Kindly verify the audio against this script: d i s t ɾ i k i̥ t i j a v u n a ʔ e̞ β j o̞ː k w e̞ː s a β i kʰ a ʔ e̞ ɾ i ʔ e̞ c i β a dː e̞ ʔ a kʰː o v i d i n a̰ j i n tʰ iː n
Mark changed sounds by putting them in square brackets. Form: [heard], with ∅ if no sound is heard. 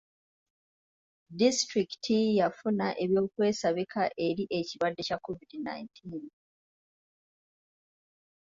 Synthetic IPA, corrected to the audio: d i s t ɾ i k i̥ t i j a [f] u n a ʔ e̞ β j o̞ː k w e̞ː s a β i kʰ a ʔ e̞ ɾ i ʔ e̞ c i β a dː e̞ [c] a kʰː o v i d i n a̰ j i n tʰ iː n

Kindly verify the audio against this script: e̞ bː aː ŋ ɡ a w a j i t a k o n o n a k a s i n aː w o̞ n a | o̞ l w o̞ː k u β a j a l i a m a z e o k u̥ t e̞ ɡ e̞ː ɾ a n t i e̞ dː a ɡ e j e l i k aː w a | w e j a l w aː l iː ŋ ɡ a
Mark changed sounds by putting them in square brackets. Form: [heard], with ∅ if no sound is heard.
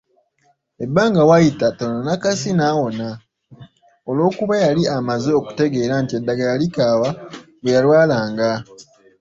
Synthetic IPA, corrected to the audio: e̞ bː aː ŋ ɡ a w a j i t a [t] o n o n a k a s i n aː w o̞ n a | o̞ l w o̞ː k u β a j a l i a m a z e o k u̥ t e̞ ɡ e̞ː ɾ a n t i e̞ dː a ɡ [a] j [a] l i k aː w a | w e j a l w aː l [aː] ŋ ɡ a

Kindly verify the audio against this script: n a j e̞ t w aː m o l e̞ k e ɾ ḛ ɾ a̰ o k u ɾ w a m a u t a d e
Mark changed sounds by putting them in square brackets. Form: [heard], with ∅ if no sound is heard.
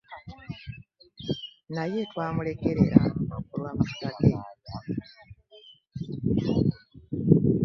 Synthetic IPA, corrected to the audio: n a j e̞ t w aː m [u] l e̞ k e ɾ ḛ ɾ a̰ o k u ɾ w a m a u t a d e

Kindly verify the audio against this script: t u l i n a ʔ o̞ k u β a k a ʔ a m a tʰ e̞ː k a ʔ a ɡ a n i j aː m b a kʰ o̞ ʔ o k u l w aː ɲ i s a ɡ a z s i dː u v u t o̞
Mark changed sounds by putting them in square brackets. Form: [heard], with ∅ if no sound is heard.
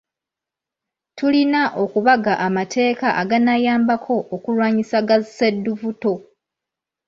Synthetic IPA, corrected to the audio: t u l i n a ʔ o̞ k u β a [ɡ] a ʔ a m a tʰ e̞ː k a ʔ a ɡ a n [a] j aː m b a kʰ o̞ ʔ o k u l w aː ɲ i s a ɡ a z s [e] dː u v u t o̞

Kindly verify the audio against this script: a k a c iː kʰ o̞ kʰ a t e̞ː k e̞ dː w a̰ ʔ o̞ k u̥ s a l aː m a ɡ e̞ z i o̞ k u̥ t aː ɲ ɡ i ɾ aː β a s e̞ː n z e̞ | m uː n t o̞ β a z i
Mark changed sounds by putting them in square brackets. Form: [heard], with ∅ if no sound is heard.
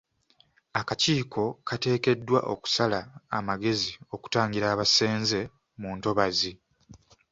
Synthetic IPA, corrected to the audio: a k a c iː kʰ o̞ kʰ a t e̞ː k e̞ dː w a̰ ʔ o̞ k u̥ s a l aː m a ɡ e̞ z i o̞ k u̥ t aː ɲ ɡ i ɾ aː β a s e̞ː n z e̞ | m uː n t o̞ β a z i

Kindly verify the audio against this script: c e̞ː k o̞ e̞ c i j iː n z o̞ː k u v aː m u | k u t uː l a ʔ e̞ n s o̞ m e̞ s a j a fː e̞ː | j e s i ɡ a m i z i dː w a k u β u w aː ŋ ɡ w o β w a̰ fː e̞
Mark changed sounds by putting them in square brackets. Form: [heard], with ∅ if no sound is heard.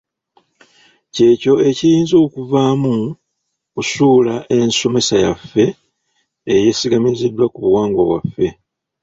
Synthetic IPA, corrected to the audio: c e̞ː [c] o̞ e̞ c i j iː n z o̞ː k u v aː m u | k u [s] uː l a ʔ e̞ n s o̞ m e̞ s a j a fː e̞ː | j e s i ɡ a m i z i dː w a k u β u w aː ŋ ɡ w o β w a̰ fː e̞

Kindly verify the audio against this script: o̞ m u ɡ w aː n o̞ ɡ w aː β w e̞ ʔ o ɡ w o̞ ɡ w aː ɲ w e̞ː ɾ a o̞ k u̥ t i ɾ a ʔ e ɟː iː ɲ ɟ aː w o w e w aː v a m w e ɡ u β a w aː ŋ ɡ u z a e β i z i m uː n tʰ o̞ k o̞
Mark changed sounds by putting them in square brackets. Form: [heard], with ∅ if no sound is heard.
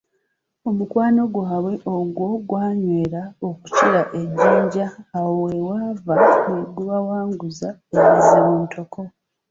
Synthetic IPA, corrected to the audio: o̞ m u [k] w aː n o̞ ɡ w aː β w e̞ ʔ o ɡ w o̞ ɡ w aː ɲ w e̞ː ɾ a o̞ k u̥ [c] i ɾ a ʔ e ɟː iː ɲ ɟ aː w o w e w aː v a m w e ɡ u β a w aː ŋ ɡ u z a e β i z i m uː n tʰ o̞ k o̞

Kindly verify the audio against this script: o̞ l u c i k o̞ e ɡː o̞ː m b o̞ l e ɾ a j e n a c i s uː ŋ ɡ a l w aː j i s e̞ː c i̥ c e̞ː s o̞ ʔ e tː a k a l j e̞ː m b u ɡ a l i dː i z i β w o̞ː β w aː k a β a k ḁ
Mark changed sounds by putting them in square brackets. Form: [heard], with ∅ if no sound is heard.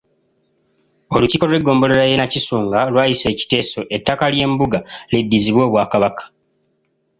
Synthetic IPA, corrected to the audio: o̞ l u c i k o̞ e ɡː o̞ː m b o̞ l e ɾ a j e n a c i s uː ŋ ɡ a l w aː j i s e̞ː c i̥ [t] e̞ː s o̞ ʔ e tː a k a l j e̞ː m b u ɡ a l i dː i z i β w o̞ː β w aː k a β a k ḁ

